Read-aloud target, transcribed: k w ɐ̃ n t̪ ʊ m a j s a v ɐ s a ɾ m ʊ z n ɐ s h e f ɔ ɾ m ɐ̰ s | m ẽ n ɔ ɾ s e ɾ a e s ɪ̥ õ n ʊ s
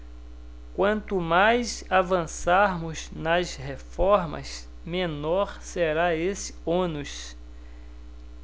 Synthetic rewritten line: k w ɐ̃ n t̪ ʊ m a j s a v ɐ̃ s a ɾ m ʊ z n ɐ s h e f ɔ ɾ m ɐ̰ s | m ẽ n ɔ ɾ s e ɾ a e s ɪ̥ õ n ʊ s